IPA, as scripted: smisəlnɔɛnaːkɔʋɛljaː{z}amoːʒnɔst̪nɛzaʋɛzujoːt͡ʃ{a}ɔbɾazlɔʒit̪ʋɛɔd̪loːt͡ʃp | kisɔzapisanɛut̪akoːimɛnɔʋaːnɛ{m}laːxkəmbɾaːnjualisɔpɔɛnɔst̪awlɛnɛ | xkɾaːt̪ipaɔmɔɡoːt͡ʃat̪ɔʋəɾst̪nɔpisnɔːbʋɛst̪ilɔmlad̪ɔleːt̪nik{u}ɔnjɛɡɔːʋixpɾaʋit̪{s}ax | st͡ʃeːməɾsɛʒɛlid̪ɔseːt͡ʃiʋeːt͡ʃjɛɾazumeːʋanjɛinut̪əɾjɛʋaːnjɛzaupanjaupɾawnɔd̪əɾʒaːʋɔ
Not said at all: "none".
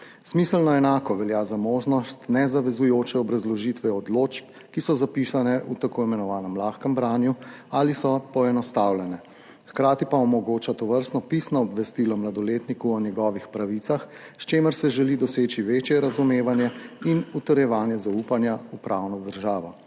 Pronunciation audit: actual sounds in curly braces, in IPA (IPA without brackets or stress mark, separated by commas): z, ɛ, m, u, s